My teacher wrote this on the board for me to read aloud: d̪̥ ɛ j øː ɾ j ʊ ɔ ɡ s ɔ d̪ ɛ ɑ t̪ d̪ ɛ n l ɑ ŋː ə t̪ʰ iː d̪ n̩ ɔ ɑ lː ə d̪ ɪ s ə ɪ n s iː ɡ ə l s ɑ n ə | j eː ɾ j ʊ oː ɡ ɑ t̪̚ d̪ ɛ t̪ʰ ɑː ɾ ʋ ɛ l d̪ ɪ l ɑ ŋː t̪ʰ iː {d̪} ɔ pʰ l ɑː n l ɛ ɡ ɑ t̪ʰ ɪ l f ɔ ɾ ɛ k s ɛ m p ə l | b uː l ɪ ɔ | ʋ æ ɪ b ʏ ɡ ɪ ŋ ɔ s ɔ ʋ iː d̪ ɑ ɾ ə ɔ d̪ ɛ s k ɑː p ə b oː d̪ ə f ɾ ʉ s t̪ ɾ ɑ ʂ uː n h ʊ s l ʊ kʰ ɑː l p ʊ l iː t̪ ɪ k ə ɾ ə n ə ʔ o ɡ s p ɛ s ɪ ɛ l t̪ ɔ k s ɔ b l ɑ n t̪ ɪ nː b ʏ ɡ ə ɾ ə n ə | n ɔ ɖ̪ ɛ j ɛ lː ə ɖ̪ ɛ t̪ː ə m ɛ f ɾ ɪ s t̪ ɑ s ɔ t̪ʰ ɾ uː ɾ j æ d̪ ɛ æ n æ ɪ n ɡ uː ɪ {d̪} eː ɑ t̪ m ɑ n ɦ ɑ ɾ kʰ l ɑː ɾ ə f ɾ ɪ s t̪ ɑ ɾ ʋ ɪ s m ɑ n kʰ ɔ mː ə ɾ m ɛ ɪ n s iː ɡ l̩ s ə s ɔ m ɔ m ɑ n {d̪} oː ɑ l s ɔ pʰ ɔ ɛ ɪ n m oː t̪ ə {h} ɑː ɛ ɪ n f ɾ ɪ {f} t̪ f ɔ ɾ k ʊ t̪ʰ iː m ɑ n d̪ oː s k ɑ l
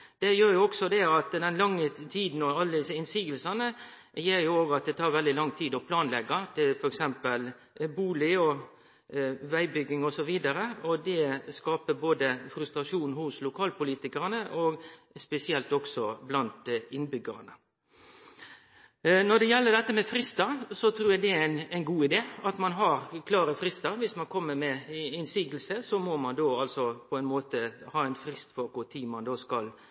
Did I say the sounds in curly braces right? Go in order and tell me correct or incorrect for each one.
correct, correct, correct, correct, incorrect: s

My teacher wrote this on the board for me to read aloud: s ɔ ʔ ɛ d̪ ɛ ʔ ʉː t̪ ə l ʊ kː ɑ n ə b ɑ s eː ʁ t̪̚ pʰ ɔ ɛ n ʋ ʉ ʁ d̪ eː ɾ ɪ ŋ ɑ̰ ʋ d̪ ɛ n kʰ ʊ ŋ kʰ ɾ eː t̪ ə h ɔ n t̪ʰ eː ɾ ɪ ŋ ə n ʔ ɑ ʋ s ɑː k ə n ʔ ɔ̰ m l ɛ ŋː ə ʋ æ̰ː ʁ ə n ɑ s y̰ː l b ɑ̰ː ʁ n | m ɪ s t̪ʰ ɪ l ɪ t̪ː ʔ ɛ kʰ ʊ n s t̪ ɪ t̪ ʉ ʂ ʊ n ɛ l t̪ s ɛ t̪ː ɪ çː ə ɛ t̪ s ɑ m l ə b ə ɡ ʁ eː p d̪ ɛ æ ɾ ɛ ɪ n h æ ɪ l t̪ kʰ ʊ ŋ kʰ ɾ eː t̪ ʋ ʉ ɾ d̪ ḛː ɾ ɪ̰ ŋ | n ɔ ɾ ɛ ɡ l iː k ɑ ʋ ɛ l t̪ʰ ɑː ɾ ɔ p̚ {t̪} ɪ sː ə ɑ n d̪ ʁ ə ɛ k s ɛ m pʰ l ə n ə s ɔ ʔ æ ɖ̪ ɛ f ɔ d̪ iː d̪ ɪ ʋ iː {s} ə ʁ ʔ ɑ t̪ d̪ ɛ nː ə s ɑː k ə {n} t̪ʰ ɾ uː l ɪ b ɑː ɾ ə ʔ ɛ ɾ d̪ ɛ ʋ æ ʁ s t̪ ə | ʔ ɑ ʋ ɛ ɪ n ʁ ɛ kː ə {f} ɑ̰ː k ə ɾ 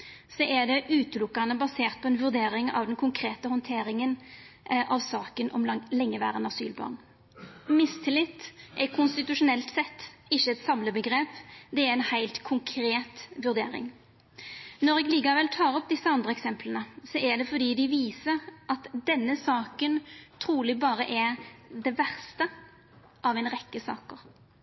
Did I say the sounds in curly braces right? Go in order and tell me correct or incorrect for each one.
incorrect: d̪, correct, correct, incorrect: s

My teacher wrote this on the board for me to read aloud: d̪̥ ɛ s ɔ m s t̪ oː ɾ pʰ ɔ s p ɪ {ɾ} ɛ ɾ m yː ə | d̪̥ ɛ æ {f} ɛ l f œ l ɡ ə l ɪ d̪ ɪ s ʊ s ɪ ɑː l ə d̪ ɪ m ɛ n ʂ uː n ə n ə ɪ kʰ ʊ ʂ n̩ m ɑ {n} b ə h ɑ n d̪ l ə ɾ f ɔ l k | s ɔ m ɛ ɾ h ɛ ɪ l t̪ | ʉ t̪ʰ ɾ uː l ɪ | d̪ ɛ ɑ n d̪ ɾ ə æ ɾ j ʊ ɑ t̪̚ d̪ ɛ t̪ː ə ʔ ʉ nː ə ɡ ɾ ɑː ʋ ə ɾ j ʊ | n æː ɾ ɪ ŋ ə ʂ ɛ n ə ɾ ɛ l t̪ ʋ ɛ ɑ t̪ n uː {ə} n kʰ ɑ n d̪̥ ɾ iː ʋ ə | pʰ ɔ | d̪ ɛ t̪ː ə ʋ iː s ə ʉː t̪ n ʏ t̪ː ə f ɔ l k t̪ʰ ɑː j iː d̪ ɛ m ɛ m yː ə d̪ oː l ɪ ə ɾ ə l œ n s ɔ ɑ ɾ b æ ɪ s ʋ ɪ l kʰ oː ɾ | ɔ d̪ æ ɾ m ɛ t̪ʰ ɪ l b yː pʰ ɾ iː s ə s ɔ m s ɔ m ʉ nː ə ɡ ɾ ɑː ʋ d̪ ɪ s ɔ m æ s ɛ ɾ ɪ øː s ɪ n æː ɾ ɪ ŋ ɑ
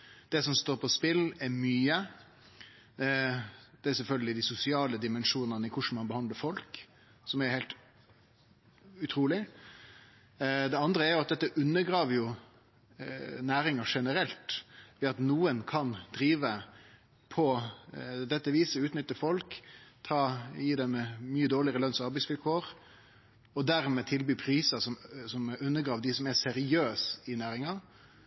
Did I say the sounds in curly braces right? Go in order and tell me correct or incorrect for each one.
incorrect: l, incorrect: s, correct, correct

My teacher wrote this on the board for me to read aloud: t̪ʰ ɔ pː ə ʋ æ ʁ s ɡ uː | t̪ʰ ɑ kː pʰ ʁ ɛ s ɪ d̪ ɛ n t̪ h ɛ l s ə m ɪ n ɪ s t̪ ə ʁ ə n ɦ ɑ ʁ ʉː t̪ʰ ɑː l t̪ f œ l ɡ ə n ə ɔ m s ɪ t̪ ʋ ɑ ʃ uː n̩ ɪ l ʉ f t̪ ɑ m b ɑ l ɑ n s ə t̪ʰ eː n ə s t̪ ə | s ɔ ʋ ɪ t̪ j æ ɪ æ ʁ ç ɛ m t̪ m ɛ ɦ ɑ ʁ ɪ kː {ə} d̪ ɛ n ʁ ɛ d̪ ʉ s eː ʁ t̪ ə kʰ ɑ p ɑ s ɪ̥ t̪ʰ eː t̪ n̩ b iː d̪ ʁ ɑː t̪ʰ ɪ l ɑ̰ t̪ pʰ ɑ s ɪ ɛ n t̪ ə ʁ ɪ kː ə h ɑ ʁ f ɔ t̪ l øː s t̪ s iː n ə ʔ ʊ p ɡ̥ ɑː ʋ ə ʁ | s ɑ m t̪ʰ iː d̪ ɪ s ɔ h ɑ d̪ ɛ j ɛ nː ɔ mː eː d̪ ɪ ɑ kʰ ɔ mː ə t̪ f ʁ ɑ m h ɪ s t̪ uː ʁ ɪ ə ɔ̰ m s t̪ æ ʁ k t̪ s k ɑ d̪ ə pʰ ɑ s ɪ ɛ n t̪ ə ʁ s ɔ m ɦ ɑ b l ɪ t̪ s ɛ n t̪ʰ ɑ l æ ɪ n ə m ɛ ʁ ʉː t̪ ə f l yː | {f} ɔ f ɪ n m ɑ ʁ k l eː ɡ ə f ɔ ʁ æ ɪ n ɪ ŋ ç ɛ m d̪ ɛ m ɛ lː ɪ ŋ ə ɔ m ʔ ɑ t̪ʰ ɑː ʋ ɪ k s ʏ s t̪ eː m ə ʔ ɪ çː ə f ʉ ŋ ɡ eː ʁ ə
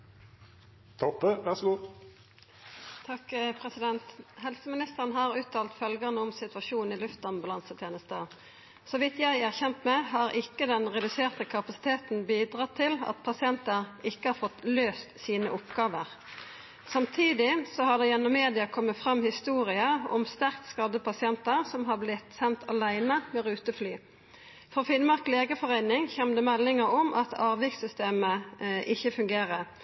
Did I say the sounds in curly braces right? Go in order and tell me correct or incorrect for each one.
correct, correct

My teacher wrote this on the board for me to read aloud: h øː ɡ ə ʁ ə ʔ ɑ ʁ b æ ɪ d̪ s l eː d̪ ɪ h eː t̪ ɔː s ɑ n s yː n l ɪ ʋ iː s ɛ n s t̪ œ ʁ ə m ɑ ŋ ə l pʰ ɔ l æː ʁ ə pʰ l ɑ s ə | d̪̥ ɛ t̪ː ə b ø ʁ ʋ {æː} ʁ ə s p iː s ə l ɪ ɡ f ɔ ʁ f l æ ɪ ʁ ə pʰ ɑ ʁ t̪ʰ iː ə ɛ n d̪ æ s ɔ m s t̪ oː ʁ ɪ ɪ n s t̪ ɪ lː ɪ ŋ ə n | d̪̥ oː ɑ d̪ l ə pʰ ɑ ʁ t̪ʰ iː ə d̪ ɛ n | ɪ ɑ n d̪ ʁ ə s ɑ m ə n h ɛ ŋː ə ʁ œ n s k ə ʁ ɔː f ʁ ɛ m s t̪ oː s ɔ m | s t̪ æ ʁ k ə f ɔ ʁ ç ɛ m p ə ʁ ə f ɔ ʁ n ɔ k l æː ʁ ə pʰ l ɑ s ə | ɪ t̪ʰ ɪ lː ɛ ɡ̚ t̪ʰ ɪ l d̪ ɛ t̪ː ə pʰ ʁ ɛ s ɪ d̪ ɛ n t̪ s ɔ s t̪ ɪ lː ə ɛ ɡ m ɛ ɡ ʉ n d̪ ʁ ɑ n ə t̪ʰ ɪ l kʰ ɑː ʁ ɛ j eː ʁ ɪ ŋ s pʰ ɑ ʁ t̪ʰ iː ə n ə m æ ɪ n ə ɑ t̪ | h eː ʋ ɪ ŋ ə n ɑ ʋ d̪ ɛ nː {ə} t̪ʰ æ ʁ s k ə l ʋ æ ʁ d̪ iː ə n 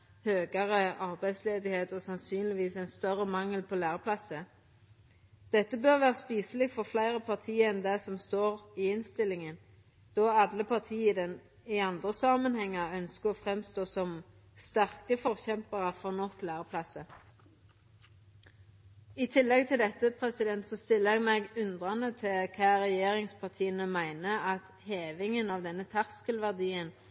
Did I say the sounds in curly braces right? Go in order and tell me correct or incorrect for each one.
correct, correct

